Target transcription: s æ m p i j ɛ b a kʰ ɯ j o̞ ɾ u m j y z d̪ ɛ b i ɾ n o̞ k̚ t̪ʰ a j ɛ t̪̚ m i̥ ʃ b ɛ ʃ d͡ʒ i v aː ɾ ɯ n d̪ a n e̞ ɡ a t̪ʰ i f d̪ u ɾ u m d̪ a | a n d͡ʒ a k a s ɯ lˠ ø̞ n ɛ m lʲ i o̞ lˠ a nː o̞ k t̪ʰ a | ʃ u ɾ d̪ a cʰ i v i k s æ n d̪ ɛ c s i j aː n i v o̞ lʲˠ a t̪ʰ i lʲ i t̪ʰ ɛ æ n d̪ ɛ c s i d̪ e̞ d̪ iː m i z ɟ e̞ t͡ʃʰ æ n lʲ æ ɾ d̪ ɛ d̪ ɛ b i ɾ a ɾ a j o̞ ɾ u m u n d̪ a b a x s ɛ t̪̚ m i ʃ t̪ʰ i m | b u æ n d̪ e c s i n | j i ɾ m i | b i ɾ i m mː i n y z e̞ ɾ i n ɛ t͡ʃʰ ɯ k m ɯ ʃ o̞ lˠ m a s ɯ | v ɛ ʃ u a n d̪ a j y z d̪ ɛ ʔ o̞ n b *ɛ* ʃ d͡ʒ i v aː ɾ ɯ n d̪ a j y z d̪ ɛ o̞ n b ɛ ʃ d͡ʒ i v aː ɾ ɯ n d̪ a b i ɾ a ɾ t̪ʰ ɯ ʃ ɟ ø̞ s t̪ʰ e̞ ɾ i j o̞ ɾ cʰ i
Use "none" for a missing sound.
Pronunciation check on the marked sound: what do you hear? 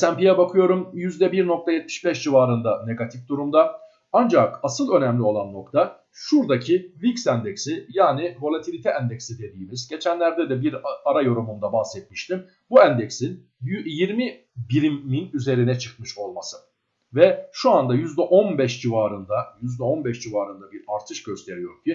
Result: ɛ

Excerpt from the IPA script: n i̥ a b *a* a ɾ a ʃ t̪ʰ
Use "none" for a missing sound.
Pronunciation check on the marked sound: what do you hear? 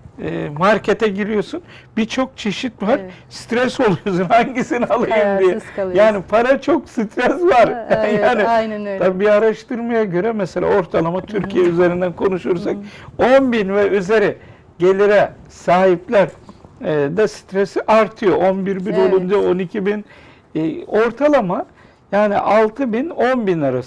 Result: i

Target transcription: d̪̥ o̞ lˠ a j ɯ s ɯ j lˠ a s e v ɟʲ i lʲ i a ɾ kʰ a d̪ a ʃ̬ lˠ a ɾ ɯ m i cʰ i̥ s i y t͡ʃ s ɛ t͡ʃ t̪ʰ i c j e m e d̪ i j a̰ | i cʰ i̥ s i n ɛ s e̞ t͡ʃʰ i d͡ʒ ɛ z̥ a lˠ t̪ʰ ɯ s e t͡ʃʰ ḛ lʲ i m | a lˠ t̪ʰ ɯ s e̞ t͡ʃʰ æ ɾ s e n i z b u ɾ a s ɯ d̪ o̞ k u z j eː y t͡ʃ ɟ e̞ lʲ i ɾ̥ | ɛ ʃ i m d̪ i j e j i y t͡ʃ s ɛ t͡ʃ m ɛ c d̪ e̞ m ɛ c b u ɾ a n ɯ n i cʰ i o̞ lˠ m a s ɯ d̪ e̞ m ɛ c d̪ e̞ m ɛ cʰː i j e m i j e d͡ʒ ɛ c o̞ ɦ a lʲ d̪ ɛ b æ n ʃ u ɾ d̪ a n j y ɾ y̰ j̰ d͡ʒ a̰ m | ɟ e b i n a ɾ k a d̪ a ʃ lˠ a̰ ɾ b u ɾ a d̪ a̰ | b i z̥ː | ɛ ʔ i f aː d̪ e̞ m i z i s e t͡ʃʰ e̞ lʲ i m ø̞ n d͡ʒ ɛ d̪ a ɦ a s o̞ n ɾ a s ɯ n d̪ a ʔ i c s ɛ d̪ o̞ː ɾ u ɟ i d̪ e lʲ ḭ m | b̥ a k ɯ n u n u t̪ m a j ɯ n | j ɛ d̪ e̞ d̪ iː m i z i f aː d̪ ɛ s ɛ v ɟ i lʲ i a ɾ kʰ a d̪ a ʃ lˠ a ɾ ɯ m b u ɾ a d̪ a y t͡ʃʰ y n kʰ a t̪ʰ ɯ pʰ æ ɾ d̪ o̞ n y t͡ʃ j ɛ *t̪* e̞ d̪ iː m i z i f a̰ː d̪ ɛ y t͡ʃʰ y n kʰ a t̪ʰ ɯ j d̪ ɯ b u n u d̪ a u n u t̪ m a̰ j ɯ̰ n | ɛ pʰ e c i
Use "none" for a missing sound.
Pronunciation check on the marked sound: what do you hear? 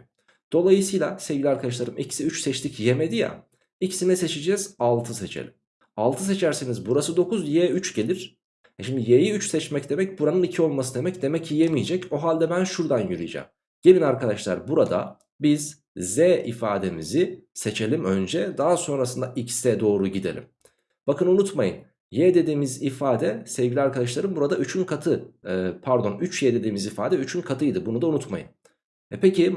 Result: d̪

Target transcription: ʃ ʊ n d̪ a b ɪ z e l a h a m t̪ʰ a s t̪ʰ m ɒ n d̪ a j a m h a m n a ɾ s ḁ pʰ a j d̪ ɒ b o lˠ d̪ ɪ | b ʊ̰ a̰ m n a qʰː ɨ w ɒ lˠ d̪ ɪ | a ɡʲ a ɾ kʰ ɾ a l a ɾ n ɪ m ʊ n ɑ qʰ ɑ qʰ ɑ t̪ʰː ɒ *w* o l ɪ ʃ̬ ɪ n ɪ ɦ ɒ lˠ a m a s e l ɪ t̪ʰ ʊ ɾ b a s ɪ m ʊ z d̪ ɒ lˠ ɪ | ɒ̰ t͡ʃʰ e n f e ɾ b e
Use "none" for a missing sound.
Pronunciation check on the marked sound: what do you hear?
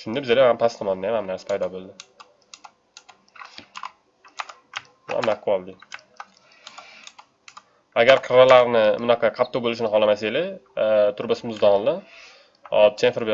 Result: b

